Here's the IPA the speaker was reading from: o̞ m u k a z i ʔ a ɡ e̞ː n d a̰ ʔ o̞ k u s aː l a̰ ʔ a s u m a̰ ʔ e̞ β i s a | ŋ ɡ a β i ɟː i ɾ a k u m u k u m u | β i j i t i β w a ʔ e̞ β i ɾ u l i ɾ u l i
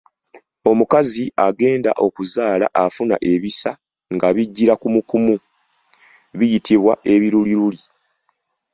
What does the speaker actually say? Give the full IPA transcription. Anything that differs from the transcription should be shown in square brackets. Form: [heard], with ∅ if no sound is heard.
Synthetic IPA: o̞ m u k a z i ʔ a ɡ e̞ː n d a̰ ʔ o̞ k u [z] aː l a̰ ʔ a [f] u [n] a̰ ʔ e̞ β i s a | ŋ ɡ a β i ɟː i ɾ a k u m u k u m u | β i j i t i β w a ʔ e̞ β i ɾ u l i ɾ u l i